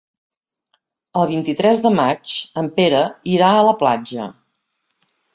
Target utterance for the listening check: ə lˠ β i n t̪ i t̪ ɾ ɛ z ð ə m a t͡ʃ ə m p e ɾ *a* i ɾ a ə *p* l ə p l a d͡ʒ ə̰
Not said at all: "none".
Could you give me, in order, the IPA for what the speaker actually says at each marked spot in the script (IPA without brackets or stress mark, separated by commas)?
ə, none